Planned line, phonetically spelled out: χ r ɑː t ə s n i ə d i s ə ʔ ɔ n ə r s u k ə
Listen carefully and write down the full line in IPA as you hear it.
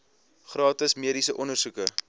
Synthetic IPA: χ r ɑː t ə s m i ə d i s ə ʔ ɔ n ə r s u k ə